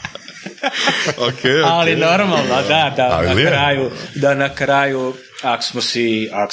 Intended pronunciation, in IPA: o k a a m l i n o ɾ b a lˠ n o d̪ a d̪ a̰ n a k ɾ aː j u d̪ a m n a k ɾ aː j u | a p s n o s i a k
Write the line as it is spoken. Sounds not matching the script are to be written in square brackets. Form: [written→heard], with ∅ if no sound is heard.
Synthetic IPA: o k [a→e] a [m→∅] l i n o ɾ [b→m] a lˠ n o d̪ a d̪ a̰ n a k ɾ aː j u d̪ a [m→∅] n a k ɾ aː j u | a [p→k] s [n→m] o s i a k